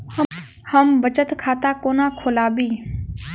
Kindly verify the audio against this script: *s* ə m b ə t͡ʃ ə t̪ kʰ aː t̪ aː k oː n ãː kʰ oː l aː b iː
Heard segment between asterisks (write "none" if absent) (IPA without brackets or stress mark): h